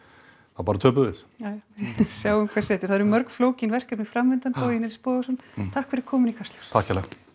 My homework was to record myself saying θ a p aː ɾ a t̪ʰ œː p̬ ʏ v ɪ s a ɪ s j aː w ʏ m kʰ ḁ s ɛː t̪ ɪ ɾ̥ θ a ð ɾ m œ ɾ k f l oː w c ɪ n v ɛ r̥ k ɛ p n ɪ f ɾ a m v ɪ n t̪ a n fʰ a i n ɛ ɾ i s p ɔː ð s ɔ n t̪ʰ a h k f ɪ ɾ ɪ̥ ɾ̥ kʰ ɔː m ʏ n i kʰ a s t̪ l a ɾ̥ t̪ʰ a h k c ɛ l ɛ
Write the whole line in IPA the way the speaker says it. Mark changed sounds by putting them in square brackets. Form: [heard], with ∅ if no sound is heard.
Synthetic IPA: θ a p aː ɾ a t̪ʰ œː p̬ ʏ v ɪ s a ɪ s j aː w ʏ m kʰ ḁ s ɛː t̪ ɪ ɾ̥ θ a ð ɾ m œ ɾ k f l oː w c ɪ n v ɛ r̥ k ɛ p n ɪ f ɾ a m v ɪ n t̪ a n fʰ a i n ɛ ɾ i s p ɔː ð s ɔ n t̪ʰ a h k f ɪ ɾ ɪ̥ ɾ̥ kʰ ɔː m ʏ n i kʰ a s t̪ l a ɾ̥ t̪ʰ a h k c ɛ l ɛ